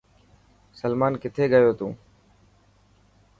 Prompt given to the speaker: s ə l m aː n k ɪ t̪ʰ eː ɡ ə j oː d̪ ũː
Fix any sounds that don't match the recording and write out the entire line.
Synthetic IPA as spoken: s ə l m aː n k ɪ t̪ʰ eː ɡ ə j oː t̪ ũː

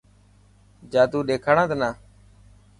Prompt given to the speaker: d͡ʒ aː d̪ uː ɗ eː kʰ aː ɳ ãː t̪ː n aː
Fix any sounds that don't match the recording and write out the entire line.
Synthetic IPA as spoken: d͡ʒ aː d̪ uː ɗ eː kʰ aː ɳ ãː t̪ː n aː

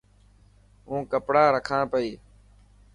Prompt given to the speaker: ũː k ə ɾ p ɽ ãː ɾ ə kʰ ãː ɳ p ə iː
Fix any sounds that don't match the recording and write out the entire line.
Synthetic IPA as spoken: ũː k ə p ɽ aː ɾ ə kʰ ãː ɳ p ə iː

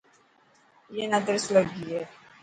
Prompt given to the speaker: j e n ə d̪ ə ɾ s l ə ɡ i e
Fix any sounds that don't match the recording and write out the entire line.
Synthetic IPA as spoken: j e n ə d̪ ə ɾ s l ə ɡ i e

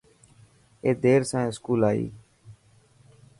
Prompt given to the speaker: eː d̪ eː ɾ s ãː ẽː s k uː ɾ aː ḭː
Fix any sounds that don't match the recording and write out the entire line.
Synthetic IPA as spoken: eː d̪ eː ɾ s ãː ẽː s k uː l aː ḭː

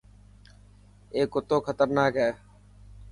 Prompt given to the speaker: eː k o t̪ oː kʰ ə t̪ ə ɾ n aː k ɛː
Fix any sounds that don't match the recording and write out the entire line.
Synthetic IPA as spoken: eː k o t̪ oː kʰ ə t̪ ə ɾ n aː k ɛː

